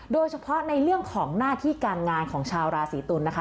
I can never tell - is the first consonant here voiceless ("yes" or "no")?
no